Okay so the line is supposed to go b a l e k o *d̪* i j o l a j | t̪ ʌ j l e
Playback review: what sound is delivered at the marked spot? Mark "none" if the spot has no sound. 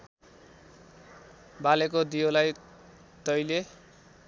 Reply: d̪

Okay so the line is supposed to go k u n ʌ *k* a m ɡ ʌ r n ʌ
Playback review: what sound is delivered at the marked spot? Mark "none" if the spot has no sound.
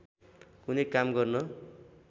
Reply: k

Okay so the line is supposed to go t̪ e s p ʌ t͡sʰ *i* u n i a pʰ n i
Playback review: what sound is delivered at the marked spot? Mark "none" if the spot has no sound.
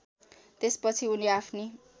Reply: i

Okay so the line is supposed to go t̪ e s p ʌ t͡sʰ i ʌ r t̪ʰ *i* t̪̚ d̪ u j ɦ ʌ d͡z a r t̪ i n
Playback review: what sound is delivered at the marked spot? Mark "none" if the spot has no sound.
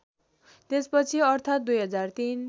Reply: a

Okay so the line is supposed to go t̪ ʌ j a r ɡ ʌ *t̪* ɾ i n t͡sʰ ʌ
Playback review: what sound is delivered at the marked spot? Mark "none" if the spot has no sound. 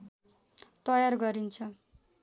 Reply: none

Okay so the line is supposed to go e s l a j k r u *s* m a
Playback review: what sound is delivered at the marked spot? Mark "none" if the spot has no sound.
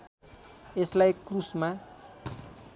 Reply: s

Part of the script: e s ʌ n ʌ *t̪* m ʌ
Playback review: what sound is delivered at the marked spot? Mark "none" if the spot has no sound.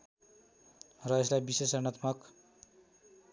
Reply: t̪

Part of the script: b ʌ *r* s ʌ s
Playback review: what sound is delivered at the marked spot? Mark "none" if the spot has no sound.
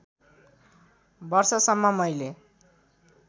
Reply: r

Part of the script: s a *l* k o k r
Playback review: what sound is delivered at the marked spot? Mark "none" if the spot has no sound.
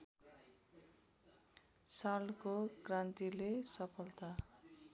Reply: l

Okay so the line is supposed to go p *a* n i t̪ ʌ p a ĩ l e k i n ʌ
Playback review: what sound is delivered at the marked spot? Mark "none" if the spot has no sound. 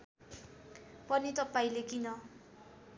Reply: ʌ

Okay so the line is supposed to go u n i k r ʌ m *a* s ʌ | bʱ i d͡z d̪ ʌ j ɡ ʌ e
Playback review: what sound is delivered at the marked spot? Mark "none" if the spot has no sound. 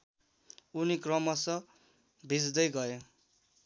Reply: ʌ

